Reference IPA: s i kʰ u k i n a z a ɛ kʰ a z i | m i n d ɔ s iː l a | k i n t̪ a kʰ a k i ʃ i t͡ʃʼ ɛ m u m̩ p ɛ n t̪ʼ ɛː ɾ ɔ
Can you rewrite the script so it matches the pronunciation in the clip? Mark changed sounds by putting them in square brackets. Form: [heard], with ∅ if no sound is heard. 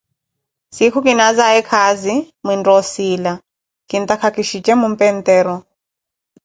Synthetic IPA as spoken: s i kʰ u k i n a z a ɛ kʰ a z i | m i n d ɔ s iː l a | k i n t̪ a kʰ a k i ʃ i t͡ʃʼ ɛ m u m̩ p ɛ n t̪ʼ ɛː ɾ ɔ